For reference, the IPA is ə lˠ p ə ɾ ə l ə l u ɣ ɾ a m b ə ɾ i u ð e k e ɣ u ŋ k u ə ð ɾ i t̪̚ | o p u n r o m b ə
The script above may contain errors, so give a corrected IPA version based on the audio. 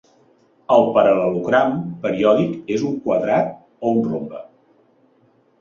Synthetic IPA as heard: ə lˠ p ə ɾ ə l ə l u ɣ ɾ a m p ə ɾ i ɔ ð i k e z u ŋ k w ə ð ɾ a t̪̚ | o u n r o m b ə